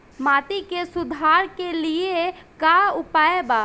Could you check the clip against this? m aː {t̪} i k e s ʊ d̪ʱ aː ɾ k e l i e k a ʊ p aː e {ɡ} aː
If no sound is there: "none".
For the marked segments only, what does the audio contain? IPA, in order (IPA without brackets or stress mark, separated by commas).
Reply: t̪, b